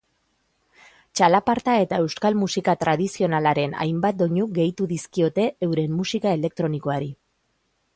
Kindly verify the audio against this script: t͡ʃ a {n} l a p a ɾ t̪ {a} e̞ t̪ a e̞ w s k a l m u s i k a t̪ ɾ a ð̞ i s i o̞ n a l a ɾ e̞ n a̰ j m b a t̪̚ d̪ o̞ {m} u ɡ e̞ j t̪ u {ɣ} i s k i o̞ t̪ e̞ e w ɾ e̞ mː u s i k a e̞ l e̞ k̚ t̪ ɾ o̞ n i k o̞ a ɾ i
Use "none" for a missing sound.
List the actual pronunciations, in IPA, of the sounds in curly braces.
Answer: none, a, ɲ, ð

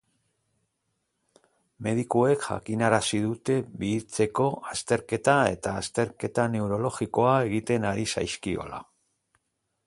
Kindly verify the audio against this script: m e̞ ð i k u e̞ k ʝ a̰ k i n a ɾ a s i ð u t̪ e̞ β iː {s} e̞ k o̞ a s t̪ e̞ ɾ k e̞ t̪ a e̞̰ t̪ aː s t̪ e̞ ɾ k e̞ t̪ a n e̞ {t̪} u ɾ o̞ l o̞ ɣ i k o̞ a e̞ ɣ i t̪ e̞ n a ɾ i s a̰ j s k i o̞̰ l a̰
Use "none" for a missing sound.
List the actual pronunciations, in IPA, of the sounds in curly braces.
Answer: t͡s, none

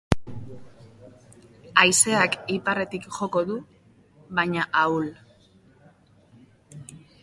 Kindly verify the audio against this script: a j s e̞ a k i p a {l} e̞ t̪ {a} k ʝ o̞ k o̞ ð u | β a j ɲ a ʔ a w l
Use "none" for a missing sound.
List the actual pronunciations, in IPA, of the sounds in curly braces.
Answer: r, i

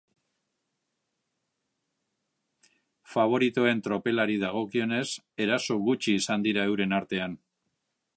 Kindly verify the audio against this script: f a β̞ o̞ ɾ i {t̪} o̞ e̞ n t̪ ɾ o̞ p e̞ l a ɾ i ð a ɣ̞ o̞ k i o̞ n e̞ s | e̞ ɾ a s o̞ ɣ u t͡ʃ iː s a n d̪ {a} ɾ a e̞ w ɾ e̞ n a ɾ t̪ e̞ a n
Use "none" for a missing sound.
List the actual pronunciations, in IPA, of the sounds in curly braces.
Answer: t̪, i

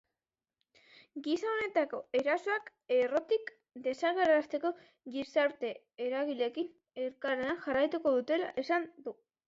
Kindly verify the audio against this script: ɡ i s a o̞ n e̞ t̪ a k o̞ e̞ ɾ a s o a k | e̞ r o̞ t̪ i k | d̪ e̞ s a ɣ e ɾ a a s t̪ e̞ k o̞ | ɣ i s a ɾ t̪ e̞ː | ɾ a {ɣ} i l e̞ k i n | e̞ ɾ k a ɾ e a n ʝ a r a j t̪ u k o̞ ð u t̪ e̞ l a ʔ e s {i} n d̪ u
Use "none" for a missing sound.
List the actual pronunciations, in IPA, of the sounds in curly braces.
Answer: ɣ, a

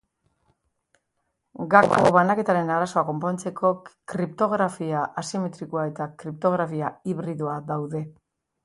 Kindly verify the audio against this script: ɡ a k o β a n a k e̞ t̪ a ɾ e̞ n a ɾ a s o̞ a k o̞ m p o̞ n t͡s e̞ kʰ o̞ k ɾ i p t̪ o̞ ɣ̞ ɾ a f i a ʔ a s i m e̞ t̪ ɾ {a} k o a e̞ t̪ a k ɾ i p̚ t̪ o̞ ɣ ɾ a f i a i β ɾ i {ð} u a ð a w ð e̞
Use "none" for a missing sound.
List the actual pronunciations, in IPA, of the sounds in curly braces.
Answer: i, ð

